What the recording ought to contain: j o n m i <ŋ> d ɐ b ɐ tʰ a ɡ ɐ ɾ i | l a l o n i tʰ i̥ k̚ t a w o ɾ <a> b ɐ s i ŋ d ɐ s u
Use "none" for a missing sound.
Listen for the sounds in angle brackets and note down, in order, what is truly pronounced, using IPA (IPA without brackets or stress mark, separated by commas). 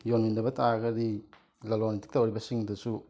n, i